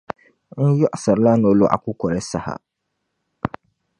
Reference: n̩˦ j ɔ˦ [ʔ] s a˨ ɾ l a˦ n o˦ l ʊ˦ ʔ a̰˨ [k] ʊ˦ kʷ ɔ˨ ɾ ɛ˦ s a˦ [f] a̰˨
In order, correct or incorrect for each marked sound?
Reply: correct, correct, incorrect: h

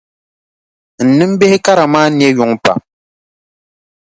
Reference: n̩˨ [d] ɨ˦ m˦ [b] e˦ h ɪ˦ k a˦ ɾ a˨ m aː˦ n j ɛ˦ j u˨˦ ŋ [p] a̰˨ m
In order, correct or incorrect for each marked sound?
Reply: incorrect: n, correct, correct

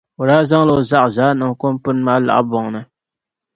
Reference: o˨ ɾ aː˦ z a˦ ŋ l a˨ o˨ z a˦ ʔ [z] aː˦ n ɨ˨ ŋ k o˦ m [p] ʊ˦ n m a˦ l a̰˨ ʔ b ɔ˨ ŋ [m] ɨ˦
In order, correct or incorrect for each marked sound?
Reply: correct, correct, incorrect: n

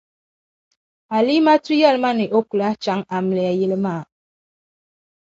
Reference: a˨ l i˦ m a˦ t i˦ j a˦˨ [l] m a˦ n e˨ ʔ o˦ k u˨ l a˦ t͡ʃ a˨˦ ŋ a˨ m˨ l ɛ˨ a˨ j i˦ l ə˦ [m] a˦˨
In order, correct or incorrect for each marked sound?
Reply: correct, correct

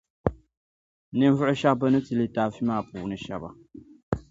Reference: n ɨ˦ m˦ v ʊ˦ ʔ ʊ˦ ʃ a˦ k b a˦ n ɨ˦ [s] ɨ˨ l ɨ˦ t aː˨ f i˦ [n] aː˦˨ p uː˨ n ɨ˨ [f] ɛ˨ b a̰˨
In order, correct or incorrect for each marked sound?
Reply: incorrect: t, incorrect: m, incorrect: ʃ

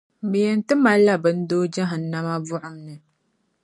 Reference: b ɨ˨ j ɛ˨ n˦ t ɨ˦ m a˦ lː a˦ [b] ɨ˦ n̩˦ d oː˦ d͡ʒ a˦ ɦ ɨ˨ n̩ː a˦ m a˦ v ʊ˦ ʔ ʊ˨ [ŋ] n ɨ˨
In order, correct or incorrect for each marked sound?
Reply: correct, incorrect: m

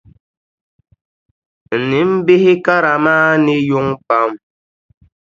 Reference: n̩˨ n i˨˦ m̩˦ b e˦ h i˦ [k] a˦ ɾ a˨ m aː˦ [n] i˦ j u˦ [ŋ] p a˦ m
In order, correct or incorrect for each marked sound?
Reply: correct, correct, correct

